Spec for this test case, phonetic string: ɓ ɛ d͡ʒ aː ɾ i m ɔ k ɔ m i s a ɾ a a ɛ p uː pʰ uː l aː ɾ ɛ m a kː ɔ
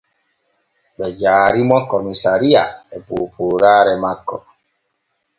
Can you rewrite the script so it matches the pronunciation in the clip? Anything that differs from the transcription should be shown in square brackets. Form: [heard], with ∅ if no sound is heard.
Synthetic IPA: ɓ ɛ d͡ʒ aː ɾ i m ɔ k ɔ m i s a ɾ [i] a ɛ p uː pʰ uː [ɾ] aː ɾ ɛ m a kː ɔ